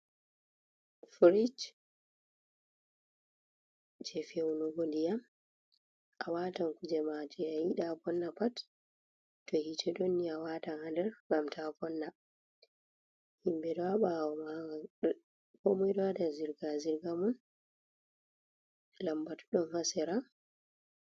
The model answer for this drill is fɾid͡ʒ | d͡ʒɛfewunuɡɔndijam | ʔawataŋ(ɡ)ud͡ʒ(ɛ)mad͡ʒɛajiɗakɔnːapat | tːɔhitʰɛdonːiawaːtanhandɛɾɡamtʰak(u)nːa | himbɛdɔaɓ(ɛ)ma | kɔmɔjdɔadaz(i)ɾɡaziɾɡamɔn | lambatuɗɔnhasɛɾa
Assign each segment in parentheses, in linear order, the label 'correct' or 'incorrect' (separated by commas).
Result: incorrect, correct, incorrect, incorrect, correct